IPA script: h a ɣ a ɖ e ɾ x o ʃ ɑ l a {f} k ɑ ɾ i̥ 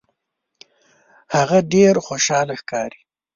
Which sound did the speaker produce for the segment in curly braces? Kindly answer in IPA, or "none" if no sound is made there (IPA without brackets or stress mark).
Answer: x